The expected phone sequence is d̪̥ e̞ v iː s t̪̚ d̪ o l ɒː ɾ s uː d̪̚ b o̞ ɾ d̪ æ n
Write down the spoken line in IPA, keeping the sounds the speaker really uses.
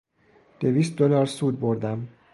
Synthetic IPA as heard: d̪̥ e̞ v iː s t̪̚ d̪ o l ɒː ɾ s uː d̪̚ b o̞ ɾ d̪ æ m